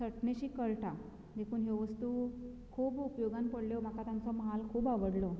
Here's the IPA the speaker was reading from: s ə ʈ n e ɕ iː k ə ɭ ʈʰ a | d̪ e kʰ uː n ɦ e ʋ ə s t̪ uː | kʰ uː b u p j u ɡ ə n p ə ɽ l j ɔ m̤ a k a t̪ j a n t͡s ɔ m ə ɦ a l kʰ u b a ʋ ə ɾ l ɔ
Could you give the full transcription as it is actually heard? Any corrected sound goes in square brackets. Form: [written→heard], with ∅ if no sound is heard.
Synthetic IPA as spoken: s ə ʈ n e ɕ iː k ə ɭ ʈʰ a | d̪ e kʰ uː n ɦ e ʋ ə s t̪ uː | kʰ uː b u p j [u→o] ɡ [ə→a] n p ə ɽ l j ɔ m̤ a k a t̪ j a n t͡s ɔ m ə ɦ a l kʰ [u→uː] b a ʋ ə [ɾ→ɽ] l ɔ